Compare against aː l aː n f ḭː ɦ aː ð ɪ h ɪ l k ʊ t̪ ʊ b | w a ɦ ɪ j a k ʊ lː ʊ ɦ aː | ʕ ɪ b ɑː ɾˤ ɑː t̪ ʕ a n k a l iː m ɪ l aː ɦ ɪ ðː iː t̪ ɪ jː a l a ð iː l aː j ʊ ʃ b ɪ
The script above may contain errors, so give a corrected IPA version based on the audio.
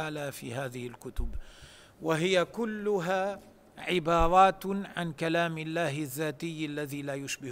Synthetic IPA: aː l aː f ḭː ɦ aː ð ɪ h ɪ l k ʊ t̪ ʊ b | w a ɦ ɪ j a k ʊ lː ʊ ɦ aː | ʕ ɪ b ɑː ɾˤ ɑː t̪ ʕ a n k a l aː m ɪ lː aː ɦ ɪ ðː aː t̪ ɪ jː a lː a ð iː l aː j ʊ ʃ b ɪ